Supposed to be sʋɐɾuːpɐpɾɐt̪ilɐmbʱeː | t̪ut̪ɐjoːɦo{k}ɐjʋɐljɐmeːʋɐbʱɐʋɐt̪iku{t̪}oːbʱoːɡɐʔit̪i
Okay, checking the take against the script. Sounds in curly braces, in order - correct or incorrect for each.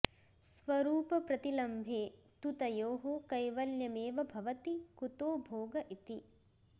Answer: correct, correct

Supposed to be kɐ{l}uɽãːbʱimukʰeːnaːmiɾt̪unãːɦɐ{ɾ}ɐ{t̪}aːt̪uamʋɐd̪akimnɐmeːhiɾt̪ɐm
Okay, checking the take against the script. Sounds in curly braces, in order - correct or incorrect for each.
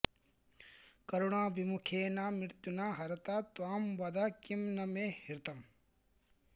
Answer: incorrect, correct, correct

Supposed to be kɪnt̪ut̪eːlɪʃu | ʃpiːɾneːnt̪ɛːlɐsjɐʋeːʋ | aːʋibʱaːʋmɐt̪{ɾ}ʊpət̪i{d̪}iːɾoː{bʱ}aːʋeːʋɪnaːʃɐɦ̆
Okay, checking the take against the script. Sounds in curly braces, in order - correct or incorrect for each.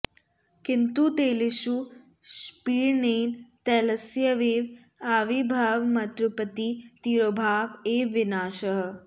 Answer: correct, incorrect, correct

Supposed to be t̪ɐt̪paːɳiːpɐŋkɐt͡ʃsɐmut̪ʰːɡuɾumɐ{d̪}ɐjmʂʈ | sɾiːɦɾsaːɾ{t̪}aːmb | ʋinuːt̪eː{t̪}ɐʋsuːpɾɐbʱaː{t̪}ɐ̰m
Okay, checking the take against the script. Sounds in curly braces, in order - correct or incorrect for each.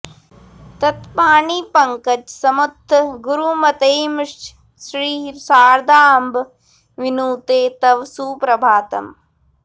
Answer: incorrect, incorrect, correct, correct

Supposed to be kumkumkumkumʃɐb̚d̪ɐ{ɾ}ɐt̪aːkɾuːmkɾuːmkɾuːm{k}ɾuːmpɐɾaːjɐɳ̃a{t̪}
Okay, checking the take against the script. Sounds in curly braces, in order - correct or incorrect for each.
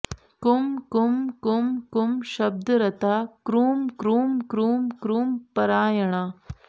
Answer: correct, correct, incorrect

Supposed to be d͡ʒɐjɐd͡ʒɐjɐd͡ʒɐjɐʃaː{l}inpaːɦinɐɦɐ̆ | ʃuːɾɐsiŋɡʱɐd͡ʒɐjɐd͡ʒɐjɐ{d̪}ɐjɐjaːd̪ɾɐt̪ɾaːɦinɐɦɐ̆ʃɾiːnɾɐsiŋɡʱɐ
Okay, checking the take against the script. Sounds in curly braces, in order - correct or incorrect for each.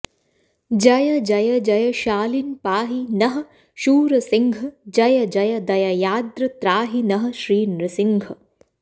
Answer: correct, correct

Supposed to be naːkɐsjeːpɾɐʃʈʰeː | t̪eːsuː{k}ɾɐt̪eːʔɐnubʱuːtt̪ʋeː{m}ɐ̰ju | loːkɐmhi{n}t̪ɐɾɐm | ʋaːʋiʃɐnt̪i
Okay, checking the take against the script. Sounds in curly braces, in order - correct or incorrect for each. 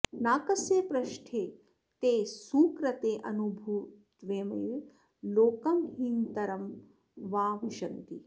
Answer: correct, correct, correct

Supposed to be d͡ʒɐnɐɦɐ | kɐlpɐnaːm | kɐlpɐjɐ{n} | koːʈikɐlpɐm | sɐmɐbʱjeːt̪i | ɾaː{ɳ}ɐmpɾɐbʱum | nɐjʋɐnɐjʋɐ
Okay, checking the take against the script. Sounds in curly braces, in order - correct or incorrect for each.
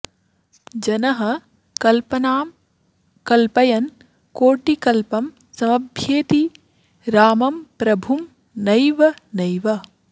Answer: correct, incorrect

